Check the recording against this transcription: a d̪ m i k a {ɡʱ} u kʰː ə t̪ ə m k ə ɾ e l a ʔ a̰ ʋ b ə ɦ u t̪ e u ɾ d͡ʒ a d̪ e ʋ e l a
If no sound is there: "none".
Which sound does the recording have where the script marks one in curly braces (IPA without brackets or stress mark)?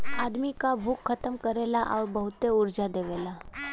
bʱ